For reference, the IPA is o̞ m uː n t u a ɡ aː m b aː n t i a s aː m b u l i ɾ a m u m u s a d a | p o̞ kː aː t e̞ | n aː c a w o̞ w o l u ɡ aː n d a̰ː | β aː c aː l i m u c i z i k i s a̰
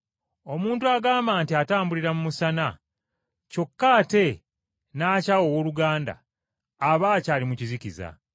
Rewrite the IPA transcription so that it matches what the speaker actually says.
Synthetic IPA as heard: o̞ m uː n t u a ɡ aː m b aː n t i a t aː m b u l i ɾ a m u m u s a n a | c o̞ kː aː t e̞ | n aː c a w o̞ w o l u ɡ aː n d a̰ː | β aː c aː l i m u c i z i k i z a̰